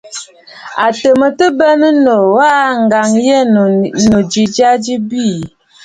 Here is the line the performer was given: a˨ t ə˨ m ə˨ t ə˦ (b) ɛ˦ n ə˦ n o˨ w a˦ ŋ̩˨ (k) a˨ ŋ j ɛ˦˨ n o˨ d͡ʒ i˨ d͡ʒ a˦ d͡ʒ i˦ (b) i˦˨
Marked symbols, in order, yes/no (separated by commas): yes, no, yes